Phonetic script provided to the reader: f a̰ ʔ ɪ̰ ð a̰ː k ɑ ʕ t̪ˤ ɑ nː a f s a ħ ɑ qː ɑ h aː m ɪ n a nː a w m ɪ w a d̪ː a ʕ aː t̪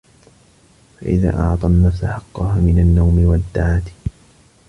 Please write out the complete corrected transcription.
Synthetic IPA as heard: f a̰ ʔ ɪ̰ ð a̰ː ʔ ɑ ʕ t̪ˤ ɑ nː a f s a ħ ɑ qː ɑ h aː m ɪ n a nː a w m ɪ w a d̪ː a ʕ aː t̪